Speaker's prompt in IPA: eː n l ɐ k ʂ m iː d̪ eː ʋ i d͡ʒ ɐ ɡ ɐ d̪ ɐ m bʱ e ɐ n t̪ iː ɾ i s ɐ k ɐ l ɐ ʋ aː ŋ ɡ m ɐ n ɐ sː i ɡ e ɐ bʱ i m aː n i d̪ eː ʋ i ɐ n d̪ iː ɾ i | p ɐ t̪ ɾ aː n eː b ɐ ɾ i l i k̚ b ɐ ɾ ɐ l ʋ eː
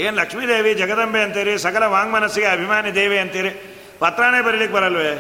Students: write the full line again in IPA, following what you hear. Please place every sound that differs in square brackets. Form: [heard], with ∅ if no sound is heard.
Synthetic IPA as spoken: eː n l ɐ k ʂ m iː d̪ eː ʋ i d͡ʒ ɐ ɡ ɐ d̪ ɐ m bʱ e ɐ n t̪ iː ɾ i s ɐ k ɐ l ɐ ʋ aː ŋ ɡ m ɐ n ɐ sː i ɡ e ɐ bʱ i m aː n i d̪ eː ʋ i ɐ n [t̪] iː ɾ i | p ɐ t̪ ɾ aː n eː b ɐ ɾ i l i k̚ b ɐ ɾ ɐ l ʋ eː